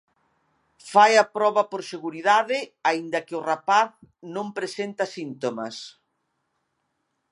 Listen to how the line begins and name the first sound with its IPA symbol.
f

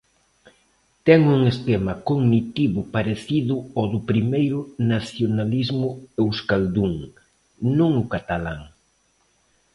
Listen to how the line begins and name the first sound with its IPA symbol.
t̪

